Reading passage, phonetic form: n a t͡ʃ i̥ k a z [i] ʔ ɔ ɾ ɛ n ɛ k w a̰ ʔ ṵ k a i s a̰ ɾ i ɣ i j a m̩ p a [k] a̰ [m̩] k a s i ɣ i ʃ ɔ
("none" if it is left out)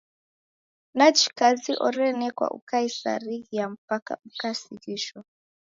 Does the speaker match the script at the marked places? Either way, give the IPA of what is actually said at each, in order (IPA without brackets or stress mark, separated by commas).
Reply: i, k, m̩